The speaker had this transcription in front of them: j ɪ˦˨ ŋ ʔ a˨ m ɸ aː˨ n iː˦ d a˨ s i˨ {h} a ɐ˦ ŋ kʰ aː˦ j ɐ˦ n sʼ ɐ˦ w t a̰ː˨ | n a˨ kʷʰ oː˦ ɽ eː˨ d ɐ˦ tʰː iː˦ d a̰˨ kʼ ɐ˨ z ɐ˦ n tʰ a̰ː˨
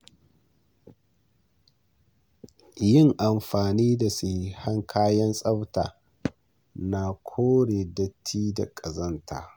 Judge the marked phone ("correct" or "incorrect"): correct